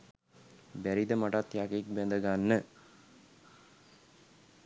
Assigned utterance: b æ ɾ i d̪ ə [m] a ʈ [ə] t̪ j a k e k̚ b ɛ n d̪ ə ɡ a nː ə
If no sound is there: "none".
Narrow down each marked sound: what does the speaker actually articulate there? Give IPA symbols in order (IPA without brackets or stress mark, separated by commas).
m, a